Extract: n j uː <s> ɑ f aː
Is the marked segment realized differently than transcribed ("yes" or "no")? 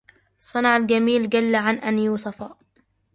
no